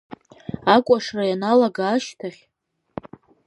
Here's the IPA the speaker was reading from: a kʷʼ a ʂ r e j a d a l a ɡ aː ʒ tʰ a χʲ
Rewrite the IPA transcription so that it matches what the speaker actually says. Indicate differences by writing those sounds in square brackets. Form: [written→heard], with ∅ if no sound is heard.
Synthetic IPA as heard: a kʷʼ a ʂ r [e→a] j a [d→n] a l a ɡ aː [ʒ→ʃ] tʰ a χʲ